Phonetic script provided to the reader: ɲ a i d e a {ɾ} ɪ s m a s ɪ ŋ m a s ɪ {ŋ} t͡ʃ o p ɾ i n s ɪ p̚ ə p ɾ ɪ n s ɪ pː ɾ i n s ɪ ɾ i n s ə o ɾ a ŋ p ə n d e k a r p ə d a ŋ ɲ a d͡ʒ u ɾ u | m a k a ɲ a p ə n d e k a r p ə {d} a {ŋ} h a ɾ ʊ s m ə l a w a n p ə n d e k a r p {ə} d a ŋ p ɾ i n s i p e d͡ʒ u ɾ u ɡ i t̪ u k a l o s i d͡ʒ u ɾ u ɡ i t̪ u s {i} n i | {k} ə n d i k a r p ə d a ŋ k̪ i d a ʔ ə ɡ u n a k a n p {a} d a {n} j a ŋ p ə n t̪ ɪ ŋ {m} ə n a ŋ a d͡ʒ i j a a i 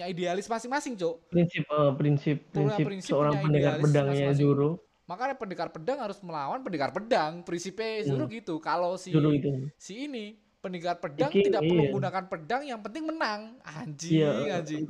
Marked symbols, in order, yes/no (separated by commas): no, yes, yes, yes, yes, no, no, no, no, yes